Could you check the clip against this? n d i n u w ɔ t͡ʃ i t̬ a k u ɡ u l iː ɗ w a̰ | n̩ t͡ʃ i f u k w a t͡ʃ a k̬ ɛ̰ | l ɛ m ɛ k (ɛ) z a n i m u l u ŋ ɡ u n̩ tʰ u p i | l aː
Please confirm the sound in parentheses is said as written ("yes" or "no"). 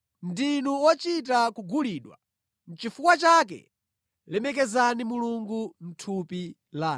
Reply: yes